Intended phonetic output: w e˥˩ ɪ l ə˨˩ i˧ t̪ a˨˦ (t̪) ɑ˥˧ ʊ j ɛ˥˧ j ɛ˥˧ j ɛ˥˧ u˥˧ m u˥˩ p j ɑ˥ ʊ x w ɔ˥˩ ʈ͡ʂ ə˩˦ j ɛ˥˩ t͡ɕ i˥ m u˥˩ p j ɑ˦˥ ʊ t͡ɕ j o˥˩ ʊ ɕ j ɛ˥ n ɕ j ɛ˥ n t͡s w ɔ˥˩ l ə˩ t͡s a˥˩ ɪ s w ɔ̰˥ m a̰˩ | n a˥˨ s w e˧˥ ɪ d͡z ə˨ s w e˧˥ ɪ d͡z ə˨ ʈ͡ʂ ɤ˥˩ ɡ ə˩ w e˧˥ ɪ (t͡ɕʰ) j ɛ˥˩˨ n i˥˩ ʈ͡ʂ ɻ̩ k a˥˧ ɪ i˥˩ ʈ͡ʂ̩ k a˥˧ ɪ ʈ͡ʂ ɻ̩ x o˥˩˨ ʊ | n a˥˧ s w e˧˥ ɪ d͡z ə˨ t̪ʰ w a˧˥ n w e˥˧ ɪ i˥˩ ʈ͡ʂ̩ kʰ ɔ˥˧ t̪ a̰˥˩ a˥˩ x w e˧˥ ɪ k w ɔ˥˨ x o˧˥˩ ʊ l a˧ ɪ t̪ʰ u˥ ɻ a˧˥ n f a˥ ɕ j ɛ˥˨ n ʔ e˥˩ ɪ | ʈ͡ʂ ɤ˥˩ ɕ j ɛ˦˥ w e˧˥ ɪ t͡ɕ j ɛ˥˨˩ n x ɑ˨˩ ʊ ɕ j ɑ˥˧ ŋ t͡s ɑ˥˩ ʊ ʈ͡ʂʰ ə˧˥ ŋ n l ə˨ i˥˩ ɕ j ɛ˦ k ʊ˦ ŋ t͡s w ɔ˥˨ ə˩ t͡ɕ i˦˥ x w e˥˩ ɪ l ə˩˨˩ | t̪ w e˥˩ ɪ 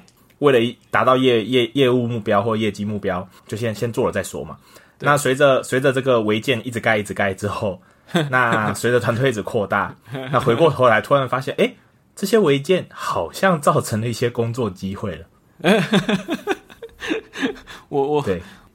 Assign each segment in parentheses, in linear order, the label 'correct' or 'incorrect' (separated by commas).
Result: correct, incorrect